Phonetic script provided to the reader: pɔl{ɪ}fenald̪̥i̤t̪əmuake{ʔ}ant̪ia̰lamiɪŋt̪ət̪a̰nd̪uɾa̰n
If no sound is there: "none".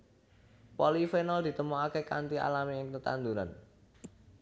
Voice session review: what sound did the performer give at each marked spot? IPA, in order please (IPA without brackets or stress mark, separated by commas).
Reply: i, k